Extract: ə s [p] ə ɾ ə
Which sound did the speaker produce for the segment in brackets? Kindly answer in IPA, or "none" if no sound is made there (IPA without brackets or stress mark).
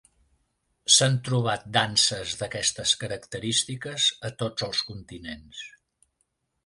k